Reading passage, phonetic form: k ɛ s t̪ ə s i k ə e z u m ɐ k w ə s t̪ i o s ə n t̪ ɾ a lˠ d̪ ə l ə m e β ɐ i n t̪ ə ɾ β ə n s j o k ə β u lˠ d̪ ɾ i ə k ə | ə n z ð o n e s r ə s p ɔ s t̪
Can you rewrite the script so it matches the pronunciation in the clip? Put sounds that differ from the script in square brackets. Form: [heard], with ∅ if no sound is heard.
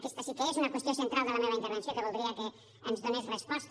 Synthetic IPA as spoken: k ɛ s t̪ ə s i k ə e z u [n] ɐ k w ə s t̪ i o s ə n t̪ ɾ a lˠ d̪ ə l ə m e β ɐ i n t̪ ə ɾ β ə n s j o k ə β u lˠ d̪ ɾ i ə k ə | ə n z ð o n e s r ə s p ɔ s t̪